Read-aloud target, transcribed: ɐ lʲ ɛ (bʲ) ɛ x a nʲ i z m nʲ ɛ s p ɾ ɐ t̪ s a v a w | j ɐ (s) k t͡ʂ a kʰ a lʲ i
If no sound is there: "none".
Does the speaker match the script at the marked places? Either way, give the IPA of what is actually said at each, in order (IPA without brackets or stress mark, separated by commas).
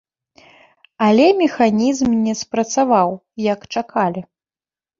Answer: mʲ, none